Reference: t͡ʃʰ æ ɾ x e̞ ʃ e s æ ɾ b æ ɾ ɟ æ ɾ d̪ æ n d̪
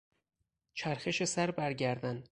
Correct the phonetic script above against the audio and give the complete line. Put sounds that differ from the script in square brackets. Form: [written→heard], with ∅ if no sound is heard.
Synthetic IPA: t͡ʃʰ æ ɾ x e̞ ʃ e s æ ɾ b æ ɾ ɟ æ ɾ d̪ æ n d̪